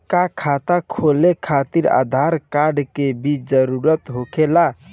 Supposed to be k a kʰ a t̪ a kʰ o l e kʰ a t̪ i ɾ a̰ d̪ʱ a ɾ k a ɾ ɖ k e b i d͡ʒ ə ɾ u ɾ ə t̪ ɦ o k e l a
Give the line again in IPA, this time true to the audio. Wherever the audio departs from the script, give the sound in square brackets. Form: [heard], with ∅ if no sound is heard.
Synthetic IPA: k a kʰ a t̪ a kʰ o l e kʰ a t̪ i ɾ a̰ d̪ʱ a ɾ k a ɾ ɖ k e b i d͡ʒ ə ɾ u ɾ ə t̪ ɦ o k e l a